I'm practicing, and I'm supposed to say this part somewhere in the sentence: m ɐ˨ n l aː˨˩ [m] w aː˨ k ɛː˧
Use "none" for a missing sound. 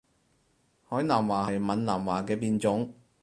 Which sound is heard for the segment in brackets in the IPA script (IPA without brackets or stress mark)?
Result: m